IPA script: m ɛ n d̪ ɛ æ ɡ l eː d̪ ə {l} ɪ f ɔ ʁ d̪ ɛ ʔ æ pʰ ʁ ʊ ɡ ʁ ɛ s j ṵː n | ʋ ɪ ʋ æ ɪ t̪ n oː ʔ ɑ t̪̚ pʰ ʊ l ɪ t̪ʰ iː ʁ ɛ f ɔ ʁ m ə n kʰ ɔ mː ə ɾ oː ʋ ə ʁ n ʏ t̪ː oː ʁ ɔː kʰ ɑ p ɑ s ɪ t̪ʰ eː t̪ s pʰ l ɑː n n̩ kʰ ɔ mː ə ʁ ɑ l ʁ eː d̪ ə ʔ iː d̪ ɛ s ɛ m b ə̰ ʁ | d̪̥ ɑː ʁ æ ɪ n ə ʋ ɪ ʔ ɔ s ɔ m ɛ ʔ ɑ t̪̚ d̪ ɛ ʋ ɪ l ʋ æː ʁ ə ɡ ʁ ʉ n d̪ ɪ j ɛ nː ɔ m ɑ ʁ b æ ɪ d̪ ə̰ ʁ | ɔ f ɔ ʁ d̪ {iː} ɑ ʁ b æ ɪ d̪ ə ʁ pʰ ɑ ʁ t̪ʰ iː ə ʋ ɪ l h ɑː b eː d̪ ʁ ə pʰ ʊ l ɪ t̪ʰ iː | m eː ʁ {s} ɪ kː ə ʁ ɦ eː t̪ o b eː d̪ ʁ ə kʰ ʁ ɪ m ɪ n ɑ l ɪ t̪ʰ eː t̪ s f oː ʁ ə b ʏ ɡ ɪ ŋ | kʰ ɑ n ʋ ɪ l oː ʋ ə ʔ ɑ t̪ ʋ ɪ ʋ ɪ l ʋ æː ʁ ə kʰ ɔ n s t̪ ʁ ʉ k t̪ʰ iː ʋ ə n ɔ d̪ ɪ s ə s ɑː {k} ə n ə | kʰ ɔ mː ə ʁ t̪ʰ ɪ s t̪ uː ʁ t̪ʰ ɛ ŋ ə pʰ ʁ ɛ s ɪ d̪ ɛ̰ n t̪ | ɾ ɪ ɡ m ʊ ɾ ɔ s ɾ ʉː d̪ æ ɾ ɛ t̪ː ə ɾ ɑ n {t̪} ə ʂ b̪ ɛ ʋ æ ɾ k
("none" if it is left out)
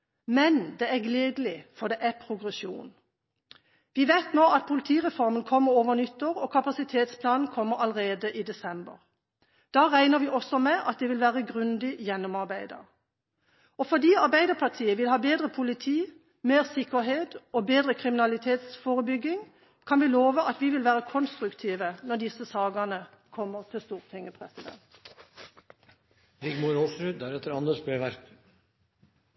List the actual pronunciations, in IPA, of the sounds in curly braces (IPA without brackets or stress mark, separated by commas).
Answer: l, iː, s, ɡ, d̪